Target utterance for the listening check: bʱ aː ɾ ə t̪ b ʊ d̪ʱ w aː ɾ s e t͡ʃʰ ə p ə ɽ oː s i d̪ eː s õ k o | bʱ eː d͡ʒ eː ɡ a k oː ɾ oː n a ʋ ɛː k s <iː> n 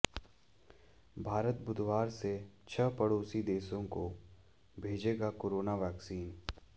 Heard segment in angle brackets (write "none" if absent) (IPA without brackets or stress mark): iː